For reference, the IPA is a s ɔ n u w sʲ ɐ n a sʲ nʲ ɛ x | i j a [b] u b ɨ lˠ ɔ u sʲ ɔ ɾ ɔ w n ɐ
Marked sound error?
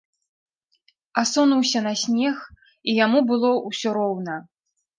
yes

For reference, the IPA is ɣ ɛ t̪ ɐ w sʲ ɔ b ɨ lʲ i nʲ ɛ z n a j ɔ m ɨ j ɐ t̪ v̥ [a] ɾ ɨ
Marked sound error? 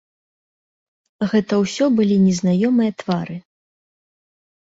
no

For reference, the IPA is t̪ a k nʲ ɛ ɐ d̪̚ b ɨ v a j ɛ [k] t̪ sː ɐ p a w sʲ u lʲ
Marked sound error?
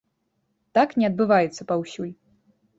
yes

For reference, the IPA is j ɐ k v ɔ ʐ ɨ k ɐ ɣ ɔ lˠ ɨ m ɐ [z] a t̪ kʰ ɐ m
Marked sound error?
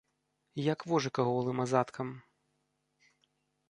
no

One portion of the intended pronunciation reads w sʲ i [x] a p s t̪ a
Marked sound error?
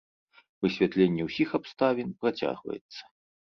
no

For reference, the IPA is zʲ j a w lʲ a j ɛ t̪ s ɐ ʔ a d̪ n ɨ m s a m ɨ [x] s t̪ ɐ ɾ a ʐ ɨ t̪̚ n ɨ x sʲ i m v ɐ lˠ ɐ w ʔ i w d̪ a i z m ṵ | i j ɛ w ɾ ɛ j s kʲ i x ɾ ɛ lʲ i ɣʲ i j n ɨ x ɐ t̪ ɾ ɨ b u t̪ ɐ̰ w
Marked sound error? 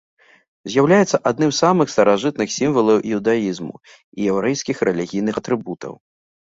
no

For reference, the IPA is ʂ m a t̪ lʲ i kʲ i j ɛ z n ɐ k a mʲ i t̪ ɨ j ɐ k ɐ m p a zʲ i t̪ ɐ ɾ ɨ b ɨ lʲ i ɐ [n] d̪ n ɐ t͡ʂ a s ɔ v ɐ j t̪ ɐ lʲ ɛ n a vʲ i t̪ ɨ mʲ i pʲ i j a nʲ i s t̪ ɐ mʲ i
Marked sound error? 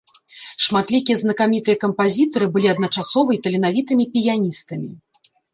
yes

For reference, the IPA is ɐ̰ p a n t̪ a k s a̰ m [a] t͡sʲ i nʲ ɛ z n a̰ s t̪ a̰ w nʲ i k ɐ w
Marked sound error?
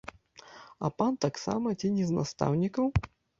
yes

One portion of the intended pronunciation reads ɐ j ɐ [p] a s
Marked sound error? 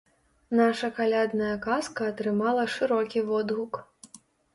yes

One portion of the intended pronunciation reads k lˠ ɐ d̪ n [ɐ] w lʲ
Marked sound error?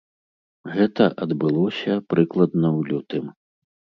no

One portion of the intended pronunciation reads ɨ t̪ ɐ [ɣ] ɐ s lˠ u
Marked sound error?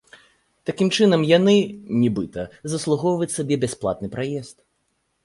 yes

